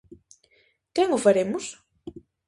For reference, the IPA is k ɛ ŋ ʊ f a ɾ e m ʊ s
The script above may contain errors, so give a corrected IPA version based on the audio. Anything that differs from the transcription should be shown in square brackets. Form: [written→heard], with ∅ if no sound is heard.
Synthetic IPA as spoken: k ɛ ŋ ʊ f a ɾ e m ʊ s